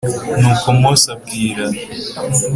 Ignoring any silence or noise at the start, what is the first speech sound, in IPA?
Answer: n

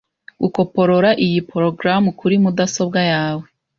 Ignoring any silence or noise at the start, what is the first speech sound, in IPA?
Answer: ɡ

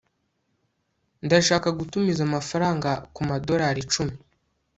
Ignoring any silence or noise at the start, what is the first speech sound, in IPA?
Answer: n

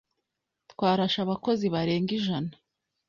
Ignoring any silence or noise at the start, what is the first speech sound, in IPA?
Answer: t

